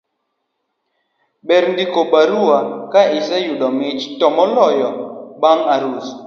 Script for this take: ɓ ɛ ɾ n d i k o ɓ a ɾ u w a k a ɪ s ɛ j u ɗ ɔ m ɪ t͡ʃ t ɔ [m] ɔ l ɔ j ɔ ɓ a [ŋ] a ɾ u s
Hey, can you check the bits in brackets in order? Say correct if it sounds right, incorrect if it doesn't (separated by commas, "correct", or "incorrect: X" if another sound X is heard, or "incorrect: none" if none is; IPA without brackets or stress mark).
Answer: correct, correct